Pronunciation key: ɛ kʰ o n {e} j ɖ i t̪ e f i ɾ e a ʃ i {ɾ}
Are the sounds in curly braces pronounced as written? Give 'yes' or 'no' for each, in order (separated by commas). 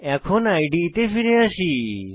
no, no